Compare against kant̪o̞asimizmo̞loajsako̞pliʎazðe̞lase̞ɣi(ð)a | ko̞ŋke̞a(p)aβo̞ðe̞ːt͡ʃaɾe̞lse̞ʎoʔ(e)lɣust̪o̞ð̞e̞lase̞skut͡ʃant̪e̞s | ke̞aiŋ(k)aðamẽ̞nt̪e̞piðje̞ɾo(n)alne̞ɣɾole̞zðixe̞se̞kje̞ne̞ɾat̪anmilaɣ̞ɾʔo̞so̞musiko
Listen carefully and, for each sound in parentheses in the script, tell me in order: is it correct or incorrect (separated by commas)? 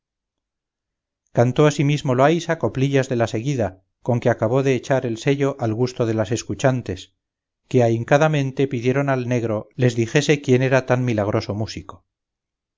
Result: correct, incorrect, incorrect, correct, correct